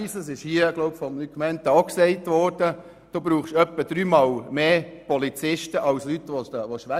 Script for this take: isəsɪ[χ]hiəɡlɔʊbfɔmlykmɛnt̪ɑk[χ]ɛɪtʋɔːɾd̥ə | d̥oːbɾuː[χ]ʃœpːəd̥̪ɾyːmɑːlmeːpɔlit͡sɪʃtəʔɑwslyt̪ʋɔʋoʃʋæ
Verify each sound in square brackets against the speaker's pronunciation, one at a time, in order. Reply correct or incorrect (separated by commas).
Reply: incorrect, incorrect, correct